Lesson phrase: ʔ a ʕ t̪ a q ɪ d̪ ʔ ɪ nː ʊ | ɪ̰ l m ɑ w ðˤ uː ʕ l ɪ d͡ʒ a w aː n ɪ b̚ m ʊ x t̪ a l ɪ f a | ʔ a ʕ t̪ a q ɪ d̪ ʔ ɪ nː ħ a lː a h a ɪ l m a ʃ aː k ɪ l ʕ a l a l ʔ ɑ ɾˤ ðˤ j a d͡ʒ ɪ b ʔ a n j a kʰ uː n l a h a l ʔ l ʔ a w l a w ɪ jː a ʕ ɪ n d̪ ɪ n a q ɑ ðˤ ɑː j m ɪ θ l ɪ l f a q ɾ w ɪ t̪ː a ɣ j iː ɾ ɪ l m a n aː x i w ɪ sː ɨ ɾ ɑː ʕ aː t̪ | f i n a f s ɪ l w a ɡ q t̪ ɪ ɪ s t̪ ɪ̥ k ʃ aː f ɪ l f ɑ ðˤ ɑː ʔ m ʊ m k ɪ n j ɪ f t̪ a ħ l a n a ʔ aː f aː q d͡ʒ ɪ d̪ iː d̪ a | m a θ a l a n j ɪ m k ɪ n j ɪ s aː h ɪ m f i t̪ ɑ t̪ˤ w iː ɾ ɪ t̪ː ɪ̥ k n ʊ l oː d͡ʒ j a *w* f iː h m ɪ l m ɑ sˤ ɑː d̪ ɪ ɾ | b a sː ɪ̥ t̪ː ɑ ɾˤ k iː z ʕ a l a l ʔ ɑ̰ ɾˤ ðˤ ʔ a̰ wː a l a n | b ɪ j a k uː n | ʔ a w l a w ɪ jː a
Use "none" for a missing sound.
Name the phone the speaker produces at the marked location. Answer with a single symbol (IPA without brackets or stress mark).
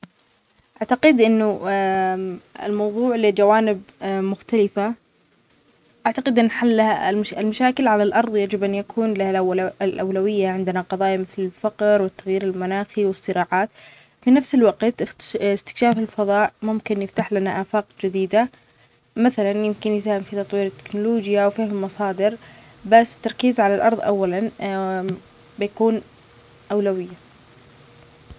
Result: w